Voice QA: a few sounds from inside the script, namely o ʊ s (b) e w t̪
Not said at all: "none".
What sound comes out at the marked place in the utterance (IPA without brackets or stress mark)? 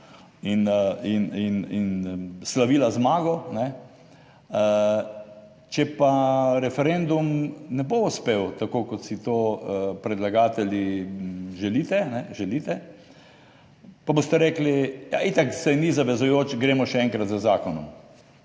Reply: p